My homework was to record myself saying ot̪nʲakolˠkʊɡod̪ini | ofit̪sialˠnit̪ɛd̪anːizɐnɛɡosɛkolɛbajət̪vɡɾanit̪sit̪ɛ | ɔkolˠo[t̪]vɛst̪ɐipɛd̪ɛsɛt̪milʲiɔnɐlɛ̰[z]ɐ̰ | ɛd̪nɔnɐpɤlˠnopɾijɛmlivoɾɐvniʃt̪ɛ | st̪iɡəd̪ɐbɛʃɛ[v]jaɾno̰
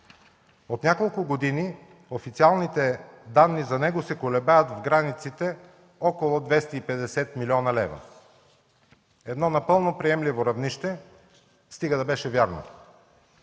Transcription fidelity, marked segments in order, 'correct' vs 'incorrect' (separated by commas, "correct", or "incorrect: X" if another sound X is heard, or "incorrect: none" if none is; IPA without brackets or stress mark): incorrect: d̪, incorrect: v, correct